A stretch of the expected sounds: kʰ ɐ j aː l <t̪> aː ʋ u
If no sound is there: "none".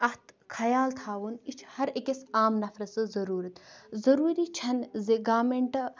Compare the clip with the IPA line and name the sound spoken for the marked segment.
t̪ʰ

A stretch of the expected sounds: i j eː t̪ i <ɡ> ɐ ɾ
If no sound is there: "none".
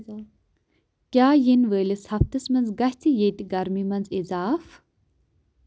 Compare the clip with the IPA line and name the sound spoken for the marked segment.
ɡ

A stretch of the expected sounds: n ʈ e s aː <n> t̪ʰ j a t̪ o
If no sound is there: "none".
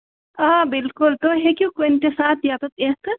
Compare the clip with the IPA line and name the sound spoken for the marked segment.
none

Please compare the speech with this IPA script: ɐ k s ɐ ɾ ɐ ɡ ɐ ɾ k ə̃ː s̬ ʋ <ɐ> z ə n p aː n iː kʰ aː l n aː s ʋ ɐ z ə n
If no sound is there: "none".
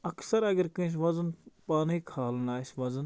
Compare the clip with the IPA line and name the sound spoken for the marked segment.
ɐ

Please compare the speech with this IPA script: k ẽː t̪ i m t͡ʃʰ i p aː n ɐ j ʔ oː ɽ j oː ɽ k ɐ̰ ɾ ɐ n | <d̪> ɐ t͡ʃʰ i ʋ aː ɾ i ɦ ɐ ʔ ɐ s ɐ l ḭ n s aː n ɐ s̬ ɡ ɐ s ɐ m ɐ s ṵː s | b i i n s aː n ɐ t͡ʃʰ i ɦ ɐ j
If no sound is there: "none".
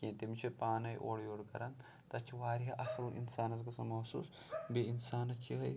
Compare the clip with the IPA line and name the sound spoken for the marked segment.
t̪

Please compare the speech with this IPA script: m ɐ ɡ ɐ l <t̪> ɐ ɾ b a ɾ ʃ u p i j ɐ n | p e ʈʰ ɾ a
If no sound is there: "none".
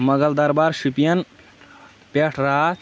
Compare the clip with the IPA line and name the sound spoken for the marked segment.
d̪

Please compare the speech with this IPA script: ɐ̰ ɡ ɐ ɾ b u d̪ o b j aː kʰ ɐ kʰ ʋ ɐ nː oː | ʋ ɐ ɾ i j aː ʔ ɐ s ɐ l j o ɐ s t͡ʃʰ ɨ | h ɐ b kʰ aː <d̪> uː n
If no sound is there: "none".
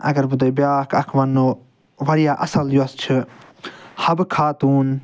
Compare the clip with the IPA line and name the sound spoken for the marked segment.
t̪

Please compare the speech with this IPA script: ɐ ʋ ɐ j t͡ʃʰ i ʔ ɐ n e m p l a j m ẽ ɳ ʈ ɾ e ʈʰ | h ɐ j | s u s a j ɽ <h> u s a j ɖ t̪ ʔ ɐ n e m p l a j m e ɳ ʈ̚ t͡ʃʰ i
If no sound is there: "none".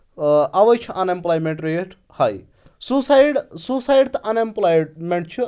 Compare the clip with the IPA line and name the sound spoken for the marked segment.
s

